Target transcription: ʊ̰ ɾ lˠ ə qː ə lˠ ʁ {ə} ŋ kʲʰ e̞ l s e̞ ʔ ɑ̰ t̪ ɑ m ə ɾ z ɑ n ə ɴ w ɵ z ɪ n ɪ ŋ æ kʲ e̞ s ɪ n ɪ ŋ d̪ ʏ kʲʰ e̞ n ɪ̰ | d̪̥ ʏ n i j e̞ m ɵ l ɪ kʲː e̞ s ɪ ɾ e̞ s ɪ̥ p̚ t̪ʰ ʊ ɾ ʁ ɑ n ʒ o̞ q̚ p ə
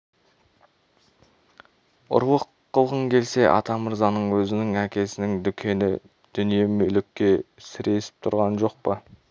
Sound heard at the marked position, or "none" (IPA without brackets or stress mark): ə